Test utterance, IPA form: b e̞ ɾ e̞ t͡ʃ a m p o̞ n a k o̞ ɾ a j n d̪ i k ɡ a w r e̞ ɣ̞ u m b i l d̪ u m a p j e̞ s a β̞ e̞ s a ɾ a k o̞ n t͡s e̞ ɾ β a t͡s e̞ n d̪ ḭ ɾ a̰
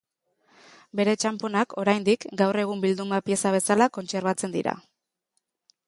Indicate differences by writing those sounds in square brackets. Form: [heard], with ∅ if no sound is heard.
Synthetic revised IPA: b e̞ ɾ e̞ t͡ʃ a m p o̞ n a k o̞ ɾ a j n d̪ i k ɡ a w r e̞ ɣ̞ u m b i l d̪ u m a p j e̞ s a β̞ e̞ s a [l] a k o̞ n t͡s e̞ ɾ β a t͡s e̞ n d̪ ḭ ɾ a̰